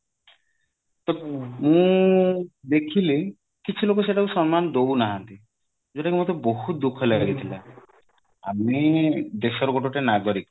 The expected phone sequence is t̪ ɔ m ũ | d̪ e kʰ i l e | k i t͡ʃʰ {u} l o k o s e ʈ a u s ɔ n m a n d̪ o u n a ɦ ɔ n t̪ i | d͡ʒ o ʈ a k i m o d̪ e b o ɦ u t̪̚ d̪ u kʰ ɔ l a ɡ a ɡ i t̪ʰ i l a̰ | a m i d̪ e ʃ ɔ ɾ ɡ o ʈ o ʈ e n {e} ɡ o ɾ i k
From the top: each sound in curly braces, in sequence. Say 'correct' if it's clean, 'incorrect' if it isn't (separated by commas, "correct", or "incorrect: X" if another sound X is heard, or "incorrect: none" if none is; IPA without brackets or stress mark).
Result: correct, incorrect: a